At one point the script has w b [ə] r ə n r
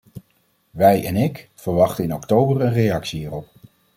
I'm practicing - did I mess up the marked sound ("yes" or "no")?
no